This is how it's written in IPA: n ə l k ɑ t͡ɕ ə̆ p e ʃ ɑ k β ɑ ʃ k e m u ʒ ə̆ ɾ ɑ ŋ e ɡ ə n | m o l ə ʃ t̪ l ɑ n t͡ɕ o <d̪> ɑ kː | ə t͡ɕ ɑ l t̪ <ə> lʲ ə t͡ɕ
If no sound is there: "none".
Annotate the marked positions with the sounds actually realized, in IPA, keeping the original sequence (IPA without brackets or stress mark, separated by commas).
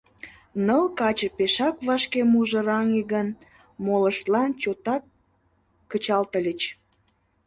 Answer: t̪, ə